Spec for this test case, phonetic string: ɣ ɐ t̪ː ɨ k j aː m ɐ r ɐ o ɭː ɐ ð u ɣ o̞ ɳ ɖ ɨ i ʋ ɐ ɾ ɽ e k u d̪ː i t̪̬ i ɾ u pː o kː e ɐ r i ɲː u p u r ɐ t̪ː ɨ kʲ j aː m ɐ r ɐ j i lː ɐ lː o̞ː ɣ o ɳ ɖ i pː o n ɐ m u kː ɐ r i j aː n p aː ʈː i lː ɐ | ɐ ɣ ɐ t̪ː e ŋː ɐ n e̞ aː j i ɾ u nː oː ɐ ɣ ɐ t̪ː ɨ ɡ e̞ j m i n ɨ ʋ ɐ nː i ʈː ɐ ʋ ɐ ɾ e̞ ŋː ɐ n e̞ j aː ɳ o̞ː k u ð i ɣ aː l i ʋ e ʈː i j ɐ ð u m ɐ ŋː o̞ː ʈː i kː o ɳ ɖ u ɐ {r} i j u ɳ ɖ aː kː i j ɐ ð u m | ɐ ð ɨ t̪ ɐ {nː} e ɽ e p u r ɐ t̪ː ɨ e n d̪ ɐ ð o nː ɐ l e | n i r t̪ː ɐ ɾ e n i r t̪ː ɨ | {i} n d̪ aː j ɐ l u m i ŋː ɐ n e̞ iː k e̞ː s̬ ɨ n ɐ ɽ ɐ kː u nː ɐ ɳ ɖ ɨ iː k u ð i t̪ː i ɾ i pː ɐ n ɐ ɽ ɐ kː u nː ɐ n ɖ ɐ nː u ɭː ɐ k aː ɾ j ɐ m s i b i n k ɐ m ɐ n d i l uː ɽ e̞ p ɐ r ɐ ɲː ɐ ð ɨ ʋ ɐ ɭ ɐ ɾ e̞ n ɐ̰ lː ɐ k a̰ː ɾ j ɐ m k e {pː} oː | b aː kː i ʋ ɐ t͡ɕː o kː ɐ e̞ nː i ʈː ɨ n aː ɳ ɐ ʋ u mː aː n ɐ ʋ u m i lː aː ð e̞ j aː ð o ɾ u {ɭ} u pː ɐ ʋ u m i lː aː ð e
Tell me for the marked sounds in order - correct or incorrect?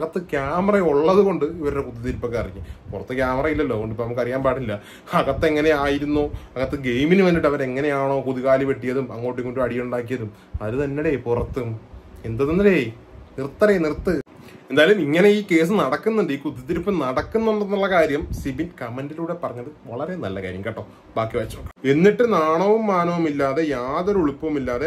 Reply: incorrect: ɽ, correct, incorrect: e, incorrect: ʈː, correct

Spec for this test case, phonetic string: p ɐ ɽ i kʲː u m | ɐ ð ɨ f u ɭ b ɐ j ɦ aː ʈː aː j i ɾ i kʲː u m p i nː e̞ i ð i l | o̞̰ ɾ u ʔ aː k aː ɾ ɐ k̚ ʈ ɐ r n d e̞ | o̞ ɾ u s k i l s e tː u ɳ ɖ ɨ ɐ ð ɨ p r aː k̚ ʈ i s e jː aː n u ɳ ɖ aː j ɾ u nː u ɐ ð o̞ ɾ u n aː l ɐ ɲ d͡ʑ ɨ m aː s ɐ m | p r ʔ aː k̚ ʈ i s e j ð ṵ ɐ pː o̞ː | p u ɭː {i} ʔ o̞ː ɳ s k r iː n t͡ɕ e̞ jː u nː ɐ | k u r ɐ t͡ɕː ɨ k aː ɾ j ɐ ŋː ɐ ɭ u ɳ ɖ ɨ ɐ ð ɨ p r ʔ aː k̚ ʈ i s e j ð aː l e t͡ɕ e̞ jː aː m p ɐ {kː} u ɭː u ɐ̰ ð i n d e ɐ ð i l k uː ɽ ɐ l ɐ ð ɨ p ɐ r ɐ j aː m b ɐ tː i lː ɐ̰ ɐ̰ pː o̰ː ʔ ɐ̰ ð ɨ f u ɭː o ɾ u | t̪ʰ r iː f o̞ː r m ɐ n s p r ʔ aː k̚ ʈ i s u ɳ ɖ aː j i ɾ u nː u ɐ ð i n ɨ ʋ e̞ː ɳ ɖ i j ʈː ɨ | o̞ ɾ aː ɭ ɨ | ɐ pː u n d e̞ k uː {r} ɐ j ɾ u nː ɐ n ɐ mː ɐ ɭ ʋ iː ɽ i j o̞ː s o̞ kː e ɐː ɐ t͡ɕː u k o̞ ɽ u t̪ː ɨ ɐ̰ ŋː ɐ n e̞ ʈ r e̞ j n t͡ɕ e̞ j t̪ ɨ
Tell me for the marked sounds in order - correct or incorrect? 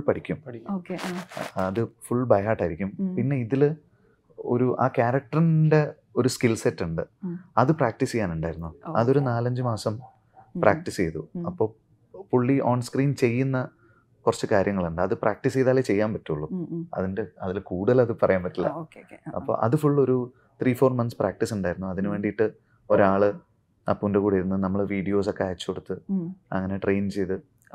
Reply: correct, incorrect: tː, incorrect: ɽ

